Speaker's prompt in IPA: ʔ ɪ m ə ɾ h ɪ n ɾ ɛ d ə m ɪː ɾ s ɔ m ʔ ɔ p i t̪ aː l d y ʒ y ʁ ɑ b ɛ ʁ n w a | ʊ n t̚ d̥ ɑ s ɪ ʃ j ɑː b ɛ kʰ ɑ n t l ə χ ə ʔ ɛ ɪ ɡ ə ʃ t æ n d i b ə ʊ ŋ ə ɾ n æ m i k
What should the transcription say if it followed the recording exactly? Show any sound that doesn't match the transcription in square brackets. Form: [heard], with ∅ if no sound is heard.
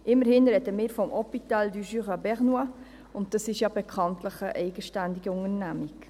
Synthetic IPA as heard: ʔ ɪ m ə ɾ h ɪ n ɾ ɛ d ə m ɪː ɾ [f] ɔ m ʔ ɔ p i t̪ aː l d y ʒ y ʁ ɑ b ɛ ʁ n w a | ʊ n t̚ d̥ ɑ s ɪ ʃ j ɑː b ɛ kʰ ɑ n t l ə χ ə ʔ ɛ ɪ ɡ ə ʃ t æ n d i [ɡ] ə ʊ ŋ ə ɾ n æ m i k